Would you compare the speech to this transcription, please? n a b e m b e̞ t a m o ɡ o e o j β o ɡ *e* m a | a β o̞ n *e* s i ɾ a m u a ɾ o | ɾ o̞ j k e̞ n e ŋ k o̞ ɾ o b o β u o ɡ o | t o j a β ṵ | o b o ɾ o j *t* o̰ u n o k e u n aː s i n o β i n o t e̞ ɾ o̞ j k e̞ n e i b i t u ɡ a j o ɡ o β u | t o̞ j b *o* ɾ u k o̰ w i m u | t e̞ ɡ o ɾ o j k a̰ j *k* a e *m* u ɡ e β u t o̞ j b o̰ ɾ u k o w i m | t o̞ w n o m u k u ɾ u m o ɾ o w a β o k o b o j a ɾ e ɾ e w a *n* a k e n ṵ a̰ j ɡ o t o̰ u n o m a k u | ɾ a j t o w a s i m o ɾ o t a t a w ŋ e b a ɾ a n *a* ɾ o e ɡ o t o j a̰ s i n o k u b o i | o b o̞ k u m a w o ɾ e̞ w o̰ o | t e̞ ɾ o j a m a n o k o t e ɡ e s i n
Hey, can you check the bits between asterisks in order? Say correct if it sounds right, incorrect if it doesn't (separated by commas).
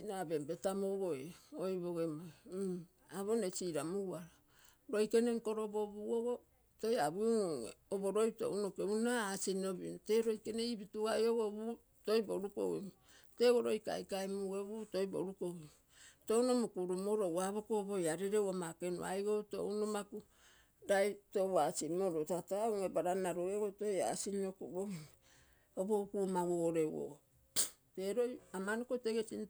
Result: correct, correct, correct, correct, correct, correct, incorrect, correct